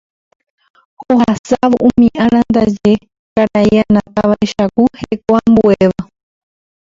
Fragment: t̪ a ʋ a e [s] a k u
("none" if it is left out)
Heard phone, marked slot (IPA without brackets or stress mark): ʃ